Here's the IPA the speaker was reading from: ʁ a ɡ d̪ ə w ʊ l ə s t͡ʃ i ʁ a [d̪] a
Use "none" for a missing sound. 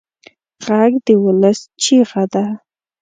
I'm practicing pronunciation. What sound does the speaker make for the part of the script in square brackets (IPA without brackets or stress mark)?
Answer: d̪